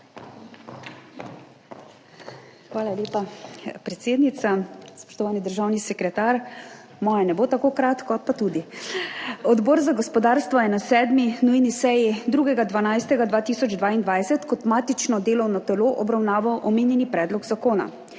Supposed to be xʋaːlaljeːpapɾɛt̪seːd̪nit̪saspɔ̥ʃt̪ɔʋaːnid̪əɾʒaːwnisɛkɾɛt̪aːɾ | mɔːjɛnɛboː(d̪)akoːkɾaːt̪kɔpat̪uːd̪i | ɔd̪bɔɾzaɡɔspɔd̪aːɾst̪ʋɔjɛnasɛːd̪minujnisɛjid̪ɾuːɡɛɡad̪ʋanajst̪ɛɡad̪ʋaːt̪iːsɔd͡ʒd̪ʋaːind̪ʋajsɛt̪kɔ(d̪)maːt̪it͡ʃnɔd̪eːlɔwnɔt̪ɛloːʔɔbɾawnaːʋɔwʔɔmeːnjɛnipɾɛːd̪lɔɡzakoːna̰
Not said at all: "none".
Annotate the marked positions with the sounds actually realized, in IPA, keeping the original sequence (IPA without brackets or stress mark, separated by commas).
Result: t̪, t̪